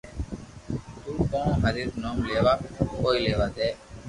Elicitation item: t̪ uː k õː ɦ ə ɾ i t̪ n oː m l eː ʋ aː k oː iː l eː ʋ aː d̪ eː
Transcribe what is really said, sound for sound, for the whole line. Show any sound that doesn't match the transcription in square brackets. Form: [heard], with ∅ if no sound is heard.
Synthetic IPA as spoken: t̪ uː k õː ɦ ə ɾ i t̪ n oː m l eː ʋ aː k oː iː l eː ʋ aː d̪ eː